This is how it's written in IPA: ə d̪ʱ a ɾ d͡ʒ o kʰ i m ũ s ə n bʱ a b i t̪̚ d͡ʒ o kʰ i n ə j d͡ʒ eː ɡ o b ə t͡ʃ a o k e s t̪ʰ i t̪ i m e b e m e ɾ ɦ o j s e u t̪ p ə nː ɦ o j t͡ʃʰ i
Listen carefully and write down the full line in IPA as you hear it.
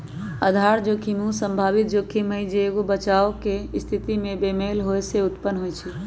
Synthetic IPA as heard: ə d̪ʱ a ɾ d͡ʒ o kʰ i m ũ s ə m bʱ a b i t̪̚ d͡ʒ o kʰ i m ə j d͡ʒ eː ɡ o b ə t͡ʃ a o k e s t̪ʰ i t̪ i m e b e m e l ɦ o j s e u t̪ p ə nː ɦ o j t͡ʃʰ i